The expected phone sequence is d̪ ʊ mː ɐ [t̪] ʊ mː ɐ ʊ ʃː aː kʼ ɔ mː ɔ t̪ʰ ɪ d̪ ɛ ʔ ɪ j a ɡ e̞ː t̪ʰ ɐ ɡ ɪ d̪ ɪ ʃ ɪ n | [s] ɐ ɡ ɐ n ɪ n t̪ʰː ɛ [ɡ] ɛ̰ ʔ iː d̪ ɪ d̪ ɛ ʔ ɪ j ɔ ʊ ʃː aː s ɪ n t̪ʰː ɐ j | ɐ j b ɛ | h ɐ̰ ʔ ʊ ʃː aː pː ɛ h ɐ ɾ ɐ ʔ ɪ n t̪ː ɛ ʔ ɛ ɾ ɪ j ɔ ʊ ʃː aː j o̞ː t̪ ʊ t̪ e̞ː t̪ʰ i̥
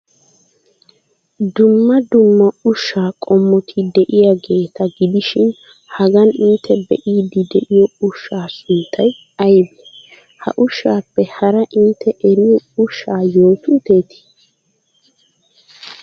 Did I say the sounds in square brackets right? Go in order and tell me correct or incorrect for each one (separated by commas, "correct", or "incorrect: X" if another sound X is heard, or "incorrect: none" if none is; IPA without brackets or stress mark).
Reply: incorrect: d̪, incorrect: h, incorrect: b